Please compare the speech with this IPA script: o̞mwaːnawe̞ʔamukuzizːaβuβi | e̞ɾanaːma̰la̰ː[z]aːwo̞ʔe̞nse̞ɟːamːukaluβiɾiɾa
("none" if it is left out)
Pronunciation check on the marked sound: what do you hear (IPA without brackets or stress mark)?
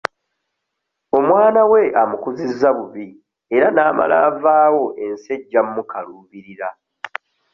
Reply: v